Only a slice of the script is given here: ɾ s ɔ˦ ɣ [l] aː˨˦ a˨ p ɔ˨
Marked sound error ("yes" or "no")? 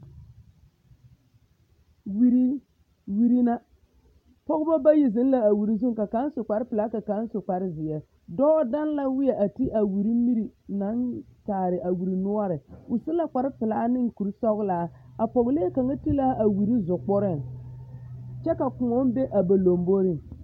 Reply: no